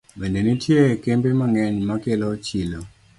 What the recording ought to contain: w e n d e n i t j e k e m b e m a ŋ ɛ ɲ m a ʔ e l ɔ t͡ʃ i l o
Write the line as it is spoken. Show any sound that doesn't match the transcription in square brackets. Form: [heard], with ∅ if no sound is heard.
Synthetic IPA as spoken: [b] e n d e n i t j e k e m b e m a ŋ ɛ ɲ m a [k] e l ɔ t͡ʃ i l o